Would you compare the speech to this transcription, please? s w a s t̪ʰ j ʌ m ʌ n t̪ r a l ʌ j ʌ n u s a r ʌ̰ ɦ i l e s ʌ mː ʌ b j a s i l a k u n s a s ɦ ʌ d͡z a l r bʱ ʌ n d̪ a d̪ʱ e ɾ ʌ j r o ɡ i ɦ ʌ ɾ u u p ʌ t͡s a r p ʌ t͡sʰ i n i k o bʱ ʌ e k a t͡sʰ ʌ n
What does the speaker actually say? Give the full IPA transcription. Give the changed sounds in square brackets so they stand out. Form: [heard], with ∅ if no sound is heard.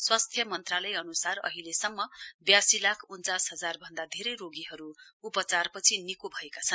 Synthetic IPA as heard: s w a s t̪ʰ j ʌ m ʌ n t̪ r a l ʌ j ʌ n u s a r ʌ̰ ɦ i l e s ʌ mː ʌ b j a s i l a [kʰ] u n [t͡s] a s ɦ ʌ d͡z a [∅] r bʱ ʌ n d̪ a d̪ʱ e ɾ ʌ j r o ɡ i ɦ ʌ ɾ u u p ʌ t͡s a r p ʌ t͡sʰ i n i k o bʱ ʌ e k a t͡sʰ ʌ n